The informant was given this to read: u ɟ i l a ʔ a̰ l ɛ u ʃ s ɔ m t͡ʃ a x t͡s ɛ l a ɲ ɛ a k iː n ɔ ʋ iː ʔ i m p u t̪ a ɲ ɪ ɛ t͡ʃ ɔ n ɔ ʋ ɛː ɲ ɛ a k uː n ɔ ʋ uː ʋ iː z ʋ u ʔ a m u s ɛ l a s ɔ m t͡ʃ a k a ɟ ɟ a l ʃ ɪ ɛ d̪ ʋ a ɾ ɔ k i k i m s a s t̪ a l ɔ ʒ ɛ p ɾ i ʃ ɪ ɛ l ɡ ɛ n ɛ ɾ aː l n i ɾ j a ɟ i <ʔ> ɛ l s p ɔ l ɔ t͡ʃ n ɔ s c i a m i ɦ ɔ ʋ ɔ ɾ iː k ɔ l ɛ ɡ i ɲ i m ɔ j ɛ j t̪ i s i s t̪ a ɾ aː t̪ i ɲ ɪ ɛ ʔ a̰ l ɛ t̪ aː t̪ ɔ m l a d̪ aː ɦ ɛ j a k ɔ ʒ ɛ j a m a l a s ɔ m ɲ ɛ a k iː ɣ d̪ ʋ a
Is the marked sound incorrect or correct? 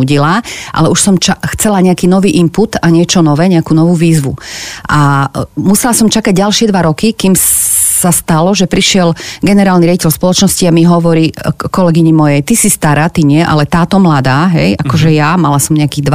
incorrect